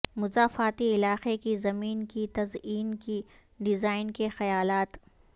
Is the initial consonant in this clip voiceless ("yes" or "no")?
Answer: no